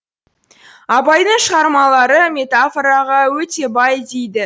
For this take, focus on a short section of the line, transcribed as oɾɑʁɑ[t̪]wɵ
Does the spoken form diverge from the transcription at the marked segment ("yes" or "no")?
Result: yes